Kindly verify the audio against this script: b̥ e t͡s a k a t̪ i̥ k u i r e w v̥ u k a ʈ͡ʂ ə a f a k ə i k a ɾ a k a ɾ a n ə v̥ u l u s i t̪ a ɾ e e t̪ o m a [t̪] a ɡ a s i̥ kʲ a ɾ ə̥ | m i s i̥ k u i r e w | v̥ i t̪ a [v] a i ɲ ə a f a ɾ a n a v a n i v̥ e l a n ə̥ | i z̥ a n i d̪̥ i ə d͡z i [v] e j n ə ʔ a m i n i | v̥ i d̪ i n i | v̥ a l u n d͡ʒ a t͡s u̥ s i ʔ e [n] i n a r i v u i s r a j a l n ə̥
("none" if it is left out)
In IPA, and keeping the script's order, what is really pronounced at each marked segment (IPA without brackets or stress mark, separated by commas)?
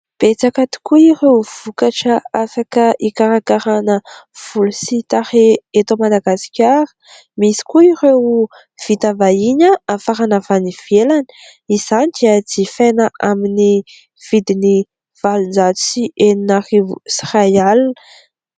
d̪, v, f, n